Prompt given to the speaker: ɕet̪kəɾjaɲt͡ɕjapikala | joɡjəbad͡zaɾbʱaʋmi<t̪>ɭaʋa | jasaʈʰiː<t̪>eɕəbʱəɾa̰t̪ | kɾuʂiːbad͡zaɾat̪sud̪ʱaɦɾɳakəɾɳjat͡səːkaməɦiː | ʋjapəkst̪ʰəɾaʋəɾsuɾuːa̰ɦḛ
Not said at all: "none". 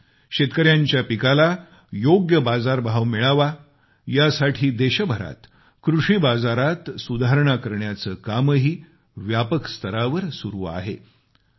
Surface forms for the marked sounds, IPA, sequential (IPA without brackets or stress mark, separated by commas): none, d̪